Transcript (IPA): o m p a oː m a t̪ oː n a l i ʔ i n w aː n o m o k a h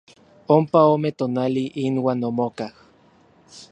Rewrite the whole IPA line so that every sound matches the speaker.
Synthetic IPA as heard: o m p a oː m e t̪ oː n a l i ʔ i n w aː n o m o k a h